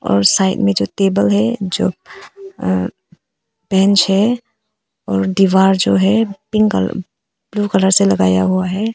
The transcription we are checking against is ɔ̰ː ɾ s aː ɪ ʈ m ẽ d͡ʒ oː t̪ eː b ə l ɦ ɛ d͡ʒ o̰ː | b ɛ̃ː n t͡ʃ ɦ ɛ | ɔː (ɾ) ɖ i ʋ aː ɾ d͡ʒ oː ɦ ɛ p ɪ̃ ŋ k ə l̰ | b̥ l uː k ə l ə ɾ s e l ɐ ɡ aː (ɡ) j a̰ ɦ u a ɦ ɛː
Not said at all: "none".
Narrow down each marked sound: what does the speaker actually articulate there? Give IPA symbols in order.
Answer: ɾ, none

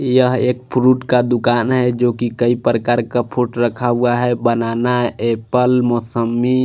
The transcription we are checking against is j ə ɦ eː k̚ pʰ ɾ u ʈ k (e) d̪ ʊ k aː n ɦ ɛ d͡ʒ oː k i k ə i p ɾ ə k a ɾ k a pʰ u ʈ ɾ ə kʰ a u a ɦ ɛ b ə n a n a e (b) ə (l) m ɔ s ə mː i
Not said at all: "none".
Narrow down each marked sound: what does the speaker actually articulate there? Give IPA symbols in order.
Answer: a, p, l

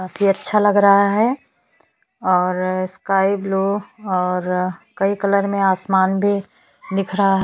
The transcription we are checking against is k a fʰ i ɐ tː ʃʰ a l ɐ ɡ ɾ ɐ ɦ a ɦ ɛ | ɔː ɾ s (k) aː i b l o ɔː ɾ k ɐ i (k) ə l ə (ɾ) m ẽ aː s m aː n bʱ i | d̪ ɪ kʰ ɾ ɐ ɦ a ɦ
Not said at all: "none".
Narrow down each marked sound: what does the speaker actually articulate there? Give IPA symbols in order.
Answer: k, k, ɾ

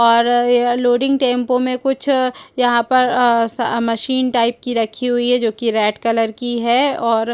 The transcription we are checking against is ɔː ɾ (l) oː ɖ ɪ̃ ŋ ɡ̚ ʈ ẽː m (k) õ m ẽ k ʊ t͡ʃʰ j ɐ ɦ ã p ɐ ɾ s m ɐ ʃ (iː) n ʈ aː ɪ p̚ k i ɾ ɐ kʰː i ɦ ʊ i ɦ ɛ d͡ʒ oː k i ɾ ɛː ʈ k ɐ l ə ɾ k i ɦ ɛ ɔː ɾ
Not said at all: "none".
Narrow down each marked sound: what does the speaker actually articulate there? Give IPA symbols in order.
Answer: l, p, iː

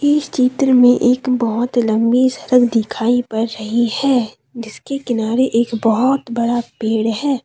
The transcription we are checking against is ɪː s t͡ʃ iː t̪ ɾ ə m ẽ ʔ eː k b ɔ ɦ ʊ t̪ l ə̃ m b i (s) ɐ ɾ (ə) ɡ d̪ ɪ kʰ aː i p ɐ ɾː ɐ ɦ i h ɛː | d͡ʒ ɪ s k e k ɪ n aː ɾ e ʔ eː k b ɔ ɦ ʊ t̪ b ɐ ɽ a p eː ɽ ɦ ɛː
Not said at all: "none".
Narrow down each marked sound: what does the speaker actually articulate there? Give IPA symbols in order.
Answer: s, ə

